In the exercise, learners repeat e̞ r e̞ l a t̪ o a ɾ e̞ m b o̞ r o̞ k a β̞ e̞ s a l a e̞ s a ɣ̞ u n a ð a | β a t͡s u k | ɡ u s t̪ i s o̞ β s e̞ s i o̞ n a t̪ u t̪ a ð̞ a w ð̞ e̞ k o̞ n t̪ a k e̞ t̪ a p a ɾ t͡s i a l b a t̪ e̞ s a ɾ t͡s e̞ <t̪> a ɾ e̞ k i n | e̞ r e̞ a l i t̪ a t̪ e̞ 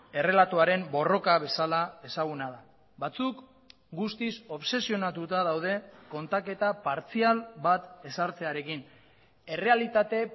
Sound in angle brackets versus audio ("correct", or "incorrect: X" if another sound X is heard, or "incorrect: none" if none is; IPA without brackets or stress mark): incorrect: none